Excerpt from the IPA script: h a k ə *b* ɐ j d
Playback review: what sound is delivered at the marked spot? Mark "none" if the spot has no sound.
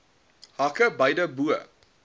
b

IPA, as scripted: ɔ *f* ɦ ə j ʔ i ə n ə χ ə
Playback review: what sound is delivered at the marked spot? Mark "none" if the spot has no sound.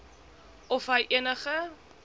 f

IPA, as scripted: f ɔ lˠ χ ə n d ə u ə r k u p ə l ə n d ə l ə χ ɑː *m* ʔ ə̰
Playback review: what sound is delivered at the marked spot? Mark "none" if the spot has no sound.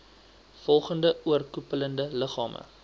m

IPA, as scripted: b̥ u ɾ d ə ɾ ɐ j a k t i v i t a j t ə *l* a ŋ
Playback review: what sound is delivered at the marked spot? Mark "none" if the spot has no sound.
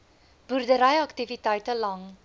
l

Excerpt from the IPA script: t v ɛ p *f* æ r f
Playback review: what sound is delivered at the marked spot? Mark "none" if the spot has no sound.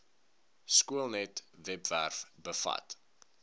v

